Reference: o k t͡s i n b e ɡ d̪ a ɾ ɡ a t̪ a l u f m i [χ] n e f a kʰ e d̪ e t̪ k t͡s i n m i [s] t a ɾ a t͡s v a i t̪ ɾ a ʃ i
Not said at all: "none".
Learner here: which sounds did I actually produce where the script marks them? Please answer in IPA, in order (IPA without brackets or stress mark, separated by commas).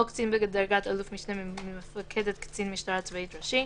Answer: ʃ, ʃ